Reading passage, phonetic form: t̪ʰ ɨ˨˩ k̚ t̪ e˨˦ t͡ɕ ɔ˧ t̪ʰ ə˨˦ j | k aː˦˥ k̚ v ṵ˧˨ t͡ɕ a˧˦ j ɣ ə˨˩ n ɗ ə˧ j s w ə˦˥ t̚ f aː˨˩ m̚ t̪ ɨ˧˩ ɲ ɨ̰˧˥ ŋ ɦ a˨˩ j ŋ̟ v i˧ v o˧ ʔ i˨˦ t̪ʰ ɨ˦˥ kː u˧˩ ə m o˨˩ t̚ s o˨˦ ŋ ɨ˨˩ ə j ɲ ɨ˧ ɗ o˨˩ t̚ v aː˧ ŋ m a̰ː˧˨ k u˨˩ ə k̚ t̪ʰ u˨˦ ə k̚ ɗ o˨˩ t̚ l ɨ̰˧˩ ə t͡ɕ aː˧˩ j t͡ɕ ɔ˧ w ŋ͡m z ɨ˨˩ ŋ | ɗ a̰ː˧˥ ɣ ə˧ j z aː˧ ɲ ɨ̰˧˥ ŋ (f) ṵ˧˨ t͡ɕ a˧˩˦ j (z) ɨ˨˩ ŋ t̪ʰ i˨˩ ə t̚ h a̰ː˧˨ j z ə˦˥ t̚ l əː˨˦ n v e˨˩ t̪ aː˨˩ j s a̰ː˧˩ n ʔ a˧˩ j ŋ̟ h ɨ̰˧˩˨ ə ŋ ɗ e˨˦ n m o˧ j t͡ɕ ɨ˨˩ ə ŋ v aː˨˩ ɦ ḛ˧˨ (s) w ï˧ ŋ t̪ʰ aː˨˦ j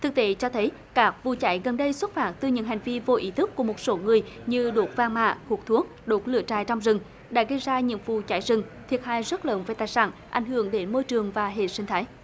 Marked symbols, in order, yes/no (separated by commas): no, yes, yes